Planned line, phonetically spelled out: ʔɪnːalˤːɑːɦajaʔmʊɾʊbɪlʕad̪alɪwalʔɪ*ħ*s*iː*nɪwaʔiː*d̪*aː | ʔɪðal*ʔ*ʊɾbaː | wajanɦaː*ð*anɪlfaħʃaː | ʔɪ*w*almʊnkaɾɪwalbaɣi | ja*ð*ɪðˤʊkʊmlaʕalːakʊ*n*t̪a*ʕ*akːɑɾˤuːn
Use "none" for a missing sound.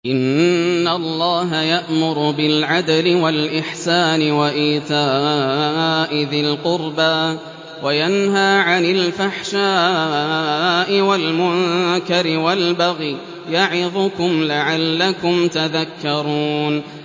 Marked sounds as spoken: ħ, aː, t̪, q, ʕ, w, ʕ, m, ð

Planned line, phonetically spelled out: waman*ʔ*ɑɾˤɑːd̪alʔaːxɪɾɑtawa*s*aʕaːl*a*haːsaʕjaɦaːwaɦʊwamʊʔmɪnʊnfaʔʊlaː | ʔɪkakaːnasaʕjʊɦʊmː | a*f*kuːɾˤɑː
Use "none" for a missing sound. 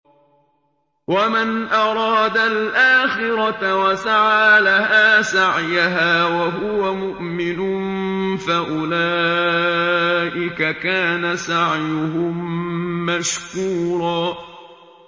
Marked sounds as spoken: ʔ, s, a, ʃ

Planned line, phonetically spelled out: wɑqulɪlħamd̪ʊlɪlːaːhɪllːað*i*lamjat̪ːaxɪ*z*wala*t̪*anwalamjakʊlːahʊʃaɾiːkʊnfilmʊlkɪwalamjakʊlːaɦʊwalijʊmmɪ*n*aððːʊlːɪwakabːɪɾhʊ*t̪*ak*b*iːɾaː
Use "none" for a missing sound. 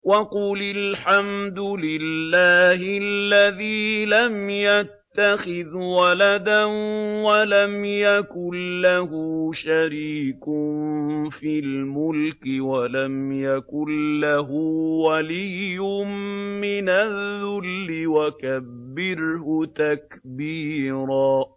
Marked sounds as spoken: iː, ð, d̪, n, t̪, b

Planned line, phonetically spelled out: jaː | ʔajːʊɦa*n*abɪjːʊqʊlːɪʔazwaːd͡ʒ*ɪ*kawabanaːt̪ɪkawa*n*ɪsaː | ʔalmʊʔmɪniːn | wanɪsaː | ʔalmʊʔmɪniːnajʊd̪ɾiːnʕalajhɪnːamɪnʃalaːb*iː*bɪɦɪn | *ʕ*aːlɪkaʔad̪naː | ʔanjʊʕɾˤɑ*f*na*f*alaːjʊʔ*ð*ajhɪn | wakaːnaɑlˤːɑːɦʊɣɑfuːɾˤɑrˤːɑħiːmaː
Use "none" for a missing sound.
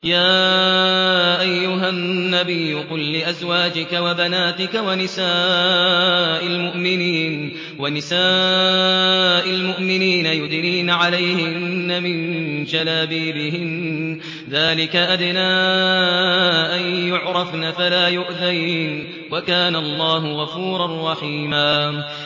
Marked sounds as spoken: nː, ɪ, n, iː, ð, f, f, ð

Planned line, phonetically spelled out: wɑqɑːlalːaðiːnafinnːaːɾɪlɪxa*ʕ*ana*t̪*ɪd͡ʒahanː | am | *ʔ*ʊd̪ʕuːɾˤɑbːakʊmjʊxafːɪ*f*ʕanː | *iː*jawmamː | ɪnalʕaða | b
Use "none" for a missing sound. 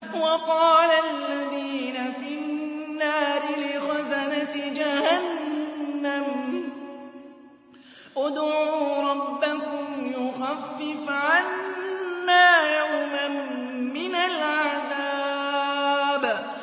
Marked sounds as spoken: z, t̪, ʔ, f, aː

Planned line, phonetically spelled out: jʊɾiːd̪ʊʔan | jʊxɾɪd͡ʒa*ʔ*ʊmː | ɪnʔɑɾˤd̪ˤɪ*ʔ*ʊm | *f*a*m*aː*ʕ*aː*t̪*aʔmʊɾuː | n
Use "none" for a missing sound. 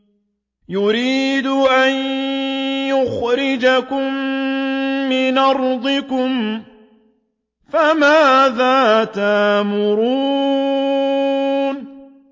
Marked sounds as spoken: k, k, f, m, ð, t̪

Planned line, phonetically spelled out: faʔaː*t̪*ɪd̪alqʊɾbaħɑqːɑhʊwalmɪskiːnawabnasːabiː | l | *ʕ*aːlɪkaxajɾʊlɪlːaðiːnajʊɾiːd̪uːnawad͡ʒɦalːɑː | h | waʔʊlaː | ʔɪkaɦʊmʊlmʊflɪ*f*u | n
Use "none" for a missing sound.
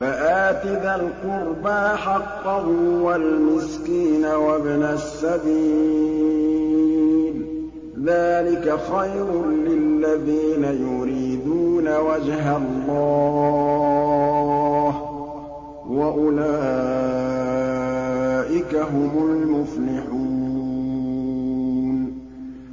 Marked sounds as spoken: t̪, ð, ħ

